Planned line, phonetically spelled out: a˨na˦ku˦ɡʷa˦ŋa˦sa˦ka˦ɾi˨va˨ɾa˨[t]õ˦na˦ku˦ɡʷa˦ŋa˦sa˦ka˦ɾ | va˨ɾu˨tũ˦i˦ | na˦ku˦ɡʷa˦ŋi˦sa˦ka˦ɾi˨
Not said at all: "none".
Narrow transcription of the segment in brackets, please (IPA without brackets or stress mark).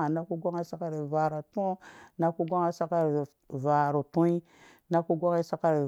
t